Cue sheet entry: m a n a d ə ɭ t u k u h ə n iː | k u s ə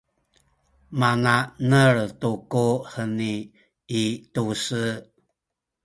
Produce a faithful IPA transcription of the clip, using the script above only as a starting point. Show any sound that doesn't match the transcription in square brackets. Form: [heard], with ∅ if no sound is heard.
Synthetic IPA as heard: m a n a [n] ə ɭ t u k u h ə n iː | [t] u s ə